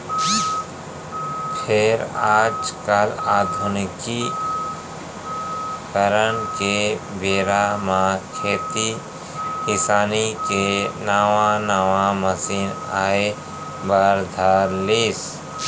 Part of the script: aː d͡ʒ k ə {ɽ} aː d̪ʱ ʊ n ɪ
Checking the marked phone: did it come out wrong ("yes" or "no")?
yes